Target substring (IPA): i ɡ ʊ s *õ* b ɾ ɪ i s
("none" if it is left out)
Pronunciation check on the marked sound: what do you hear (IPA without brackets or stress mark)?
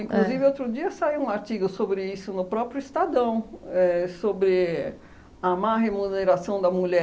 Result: o